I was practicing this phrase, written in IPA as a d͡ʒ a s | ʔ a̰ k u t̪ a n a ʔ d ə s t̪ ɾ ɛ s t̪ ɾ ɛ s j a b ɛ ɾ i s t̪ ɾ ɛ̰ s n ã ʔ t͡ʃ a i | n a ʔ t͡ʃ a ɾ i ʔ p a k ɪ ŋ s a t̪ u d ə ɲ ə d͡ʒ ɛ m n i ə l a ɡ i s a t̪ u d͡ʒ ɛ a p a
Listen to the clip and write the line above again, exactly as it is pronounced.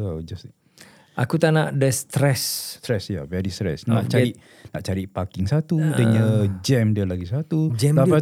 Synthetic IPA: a d͡ʒ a s | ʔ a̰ k u t̪ a n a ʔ d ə s t̪ ɾ ɛ s t̪ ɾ ɛ s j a v ɛ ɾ i s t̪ ɾ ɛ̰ s n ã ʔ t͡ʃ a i | n a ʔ t͡ʃ a ɾ i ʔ p a k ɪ ŋ s a t̪ u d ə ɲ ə d͡ʒ ɛ m d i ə l a ɡ i s a t̪ u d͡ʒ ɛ a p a